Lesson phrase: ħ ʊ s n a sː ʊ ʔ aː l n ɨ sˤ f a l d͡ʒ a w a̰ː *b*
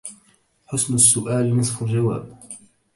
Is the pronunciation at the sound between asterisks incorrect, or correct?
correct